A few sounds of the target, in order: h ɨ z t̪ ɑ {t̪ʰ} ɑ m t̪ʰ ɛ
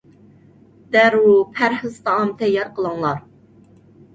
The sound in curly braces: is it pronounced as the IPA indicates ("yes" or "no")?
no